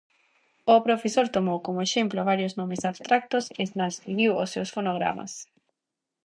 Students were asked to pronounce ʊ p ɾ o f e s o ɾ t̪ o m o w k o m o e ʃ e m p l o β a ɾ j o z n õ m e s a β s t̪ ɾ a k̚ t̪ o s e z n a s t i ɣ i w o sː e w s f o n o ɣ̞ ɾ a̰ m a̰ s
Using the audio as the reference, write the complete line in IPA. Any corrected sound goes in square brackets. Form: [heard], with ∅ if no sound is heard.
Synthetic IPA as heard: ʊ p ɾ o f e s o ɾ t̪ o m o w k o m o e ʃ e m p l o β a ɾ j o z n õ m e s a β s t̪ ɾ a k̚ t̪ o s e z n a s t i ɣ i w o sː e w s f o n o ɣ̞ ɾ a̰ m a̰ s